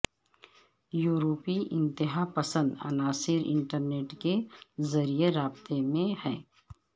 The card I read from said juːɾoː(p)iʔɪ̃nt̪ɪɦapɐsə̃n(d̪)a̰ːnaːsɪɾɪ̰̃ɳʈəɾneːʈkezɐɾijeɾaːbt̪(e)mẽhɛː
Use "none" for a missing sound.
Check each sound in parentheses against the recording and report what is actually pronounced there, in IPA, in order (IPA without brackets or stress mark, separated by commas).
p, d̪, e